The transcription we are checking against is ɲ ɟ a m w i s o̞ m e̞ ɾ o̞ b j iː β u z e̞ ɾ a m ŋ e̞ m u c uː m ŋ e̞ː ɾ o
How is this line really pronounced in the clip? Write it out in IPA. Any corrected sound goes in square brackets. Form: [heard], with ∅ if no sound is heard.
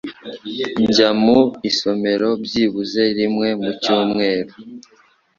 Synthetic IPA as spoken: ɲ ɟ a m [u] i s o̞ m e̞ ɾ o̞ b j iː β u z e̞ ɾ [i] m ŋ e̞ m u c uː m ŋ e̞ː ɾ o

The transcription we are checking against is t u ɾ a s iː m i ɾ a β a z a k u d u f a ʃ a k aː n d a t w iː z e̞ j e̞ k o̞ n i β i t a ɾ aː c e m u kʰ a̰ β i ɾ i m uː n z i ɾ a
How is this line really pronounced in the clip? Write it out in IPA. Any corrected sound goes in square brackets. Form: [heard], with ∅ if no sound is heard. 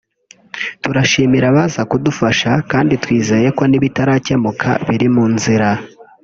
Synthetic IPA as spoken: t u ɾ a [ʃ] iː m i ɾ a β a z a k u d u f a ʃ a k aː n d [i] t w iː z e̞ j e̞ k o̞ n i β i t a ɾ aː c e m u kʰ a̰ β i ɾ i m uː n z i ɾ a

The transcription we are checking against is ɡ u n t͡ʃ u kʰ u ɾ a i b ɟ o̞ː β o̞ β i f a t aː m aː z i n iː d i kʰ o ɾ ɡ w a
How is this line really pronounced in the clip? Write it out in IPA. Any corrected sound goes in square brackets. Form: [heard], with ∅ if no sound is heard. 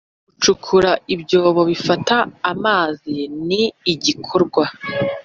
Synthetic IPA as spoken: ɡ u [∅] t͡ʃ u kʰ u ɾ a i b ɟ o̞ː β o̞ β i f a t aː m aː z i n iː [ɟ] i kʰ o ɾ ɡ w a

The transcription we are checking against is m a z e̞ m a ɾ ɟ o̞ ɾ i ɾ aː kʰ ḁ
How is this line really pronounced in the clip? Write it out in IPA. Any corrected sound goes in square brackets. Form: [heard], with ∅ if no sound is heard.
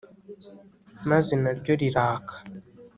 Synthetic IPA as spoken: m a z e̞ [n] a ɾ ɟ o̞ ɾ i ɾ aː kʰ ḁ

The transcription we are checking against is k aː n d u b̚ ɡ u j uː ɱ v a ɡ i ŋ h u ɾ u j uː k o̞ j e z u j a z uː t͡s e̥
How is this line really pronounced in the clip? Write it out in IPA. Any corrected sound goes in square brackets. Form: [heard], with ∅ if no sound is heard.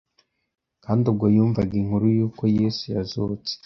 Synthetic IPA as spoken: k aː n d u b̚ ɡ [o] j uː ɱ v a ɡ i ŋ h u ɾ u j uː k o̞ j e [s] u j a z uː t͡s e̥

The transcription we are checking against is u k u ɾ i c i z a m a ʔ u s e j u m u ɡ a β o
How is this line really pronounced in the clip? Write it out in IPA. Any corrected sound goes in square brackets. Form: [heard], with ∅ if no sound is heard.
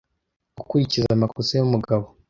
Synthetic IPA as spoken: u k u ɾ i c i z a m a [k] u s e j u m u ɡ a β o

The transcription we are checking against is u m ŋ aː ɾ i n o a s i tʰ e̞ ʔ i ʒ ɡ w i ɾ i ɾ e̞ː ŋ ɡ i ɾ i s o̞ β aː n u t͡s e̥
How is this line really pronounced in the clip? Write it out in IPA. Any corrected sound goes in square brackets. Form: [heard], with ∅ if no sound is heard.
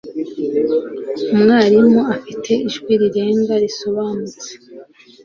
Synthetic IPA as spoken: u m ŋ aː ɾ i [m] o a [f] i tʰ e̞ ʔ i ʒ ɡ w i ɾ i ɾ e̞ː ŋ ɡ [a] ɾ i s o̞ β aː n u t͡s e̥

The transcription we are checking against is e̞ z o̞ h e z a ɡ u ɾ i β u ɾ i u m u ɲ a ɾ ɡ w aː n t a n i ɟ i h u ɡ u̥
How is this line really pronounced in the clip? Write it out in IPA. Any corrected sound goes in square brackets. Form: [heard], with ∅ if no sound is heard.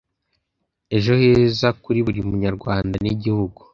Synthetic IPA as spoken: e̞ [ʒ] o̞ h e z a [k] u ɾ i β u ɾ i u m u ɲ a ɾ ɡ w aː n [d] a n i ɟ i h u ɡ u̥

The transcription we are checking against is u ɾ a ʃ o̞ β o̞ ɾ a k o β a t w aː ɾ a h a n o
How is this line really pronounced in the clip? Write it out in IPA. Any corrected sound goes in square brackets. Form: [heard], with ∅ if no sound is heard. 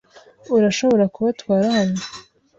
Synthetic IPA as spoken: u ɾ a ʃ o̞ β o̞ ɾ a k [u] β a t w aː ɾ a h a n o

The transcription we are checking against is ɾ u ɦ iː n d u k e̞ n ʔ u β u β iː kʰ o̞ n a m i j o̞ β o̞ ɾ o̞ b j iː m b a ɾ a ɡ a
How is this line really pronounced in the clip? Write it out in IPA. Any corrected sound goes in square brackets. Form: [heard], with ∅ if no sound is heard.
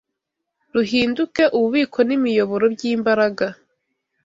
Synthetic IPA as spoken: ɾ u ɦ iː n d u k e̞ [∅] ʔ u β u β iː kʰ o̞ n [i] m i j o̞ β o̞ ɾ o̞ b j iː m b a ɾ a ɡ a

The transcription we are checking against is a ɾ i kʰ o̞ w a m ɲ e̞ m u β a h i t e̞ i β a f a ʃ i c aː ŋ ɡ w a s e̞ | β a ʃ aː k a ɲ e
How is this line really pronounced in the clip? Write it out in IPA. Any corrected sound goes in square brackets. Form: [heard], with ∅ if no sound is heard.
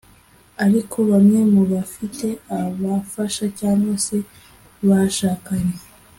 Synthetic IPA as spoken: a ɾ i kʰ o̞ [β] a m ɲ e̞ m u β a [f] i t e̞ [a] β a f a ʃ [a] c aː ŋ ɡ w a s e̞ | β a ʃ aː k a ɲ e

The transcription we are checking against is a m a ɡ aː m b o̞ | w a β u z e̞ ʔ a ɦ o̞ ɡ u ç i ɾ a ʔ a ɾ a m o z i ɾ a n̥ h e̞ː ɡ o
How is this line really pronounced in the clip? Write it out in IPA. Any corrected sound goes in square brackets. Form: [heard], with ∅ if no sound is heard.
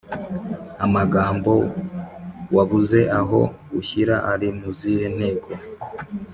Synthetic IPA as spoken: a m a ɡ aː m b o̞ | w a β u z e̞ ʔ a ɦ o̞ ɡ u ç i ɾ a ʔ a ɾ [i] m [u] z i ɾ [e] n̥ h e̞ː ɡ o

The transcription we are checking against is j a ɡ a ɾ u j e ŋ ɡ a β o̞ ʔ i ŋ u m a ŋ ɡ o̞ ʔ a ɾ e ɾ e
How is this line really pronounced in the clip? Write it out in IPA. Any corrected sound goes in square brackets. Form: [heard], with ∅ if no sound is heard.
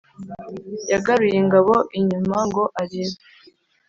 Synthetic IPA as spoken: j a ɡ a ɾ u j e ŋ ɡ a β o̞ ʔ i [ɲ] u m a ŋ ɡ o̞ ʔ a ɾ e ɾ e

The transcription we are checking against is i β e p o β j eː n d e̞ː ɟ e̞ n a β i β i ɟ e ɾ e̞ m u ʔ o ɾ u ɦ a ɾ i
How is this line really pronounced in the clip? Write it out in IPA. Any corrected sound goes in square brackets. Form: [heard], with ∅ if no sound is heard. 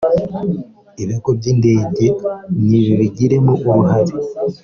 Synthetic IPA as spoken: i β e [k] o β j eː n d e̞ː ɟ e̞ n [i] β i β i ɟ [i] ɾ e̞ m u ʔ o ɾ u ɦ a ɾ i

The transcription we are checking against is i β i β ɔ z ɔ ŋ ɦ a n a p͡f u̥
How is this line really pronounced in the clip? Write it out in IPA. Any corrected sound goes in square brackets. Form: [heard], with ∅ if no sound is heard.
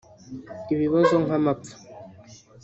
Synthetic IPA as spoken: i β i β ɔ z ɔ ŋ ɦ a [m] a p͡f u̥

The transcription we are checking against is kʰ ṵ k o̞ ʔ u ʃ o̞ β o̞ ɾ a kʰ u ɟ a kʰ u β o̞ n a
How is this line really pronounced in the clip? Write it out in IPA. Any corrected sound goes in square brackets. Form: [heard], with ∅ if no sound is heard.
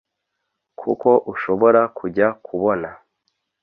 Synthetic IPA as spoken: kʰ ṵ k o̞ ʔ u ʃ o̞ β o̞ ɾ a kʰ u ɟ a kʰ u β o̞ n a

